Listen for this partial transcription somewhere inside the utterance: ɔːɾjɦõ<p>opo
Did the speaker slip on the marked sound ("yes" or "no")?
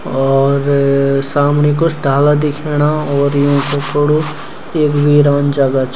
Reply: yes